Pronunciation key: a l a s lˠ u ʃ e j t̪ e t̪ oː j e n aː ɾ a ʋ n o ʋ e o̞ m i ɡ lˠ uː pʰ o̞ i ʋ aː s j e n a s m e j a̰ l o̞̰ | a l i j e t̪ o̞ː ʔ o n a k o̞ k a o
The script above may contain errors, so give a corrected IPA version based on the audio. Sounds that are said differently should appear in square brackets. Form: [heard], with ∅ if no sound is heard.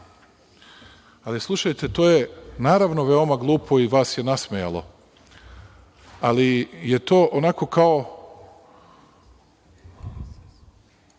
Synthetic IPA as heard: a l [i] s lˠ u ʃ [a] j t̪ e t̪ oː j e n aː ɾ a ʋ n o ʋ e o̞ m [a] ɡ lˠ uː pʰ o̞ i ʋ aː s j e n a s m e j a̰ l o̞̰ | a l i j e t̪ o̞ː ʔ o n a k o̞ k a o